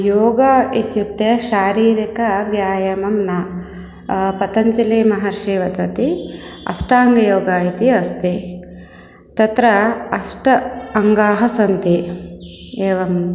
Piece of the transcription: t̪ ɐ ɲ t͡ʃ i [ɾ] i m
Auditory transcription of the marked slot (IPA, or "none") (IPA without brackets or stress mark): l